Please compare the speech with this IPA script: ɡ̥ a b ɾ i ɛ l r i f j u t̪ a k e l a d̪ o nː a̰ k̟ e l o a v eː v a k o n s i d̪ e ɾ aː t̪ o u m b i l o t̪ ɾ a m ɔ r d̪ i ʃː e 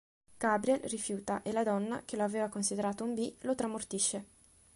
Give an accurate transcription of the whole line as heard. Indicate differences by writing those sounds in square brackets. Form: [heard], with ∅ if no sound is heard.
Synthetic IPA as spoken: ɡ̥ a b ɾ i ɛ l r i f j [uː] t̪ a [ʔ] e l a d̪ [ɔ] nː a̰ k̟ e l o a v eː v a k o n s i d̪ e ɾ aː t̪ o u m b i l o t̪ ɾ a m [o] r [t̪] i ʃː e